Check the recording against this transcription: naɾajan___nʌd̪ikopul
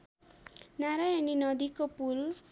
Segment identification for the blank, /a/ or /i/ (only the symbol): i